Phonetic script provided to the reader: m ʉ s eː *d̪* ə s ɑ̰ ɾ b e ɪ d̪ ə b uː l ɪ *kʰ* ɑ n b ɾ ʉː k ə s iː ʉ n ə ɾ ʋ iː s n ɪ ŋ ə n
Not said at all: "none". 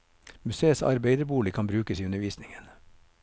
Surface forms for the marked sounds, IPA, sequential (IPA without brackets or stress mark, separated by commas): none, kʰ